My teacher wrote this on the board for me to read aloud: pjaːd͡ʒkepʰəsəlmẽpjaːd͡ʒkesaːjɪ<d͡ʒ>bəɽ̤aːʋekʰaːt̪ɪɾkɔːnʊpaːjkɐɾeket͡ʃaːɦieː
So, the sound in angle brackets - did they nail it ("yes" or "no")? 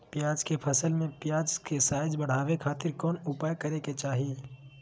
yes